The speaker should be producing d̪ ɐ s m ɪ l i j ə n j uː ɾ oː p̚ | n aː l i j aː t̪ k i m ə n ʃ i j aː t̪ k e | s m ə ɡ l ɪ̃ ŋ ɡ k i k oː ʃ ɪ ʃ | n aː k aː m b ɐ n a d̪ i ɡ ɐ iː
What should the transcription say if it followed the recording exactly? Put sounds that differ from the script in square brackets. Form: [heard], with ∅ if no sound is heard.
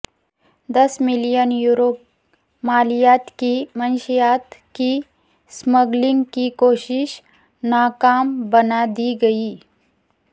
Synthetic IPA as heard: d̪ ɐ s m ɪ l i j ə n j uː ɾ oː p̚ | [m] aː l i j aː t̪ k i m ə n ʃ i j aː t̪ k [i] | s m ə ɡ l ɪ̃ ŋ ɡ k i k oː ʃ ɪ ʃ | n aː k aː m b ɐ n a d̪ i ɡ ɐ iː